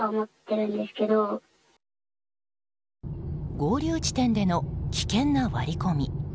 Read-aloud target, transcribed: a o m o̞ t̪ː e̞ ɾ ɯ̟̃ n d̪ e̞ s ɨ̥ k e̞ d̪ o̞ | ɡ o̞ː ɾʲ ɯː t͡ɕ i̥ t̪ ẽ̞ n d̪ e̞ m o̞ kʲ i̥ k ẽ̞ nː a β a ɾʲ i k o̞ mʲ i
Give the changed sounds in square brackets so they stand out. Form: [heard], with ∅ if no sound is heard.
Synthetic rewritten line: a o m o̞ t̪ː e̞ ɾ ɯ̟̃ n d̪ e̞ s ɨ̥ k e̞ d̪ o̞ | ɡ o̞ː ɾʲ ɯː t͡ɕ i̥ t̪ ẽ̞ n d̪ e̞ [n] o̞ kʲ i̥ k ẽ̞ nː a β a ɾʲ i k o̞ mʲ i

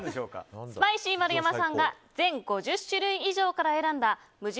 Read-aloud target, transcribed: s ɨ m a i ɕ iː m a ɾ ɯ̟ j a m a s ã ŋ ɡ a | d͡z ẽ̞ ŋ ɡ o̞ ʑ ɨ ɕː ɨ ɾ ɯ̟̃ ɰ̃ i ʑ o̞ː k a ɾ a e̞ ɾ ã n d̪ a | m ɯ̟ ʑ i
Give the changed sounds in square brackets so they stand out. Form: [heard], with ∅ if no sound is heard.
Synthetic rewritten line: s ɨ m a i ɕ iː m a ɾ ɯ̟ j a m a s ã ŋ ɡ a | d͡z ẽ̞ ŋ ɡ o̞ ʑ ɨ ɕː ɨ ɾ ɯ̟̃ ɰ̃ i ʑ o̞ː k a ɾ a e̞ ɾ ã n d̪ a | m ɯ̟ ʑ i

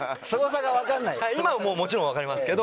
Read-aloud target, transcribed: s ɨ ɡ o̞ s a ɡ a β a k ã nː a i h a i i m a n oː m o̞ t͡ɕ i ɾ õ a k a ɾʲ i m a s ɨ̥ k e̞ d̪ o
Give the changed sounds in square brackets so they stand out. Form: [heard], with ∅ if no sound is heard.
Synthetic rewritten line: s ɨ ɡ o̞ s a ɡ a β a k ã nː a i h a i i m a [m] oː m o̞ t͡ɕ i ɾ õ a k a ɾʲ i m a s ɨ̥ k e̞ d̪ o

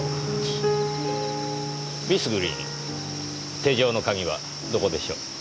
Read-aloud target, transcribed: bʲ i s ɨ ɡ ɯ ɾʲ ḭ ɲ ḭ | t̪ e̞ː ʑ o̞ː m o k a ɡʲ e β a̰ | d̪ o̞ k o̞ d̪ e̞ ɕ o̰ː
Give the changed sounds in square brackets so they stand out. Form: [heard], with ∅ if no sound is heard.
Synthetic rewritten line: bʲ i s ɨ ɡ ɯ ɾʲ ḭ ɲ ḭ | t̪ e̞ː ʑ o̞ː [n] o k a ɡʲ [i] β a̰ | d̪ o̞ k o̞ d̪ e̞ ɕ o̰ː

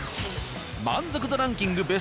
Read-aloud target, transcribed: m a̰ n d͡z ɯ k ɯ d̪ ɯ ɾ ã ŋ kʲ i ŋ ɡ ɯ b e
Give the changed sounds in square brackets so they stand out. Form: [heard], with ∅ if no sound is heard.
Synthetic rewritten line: m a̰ n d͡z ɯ k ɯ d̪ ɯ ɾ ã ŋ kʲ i ŋ ɡ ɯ b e

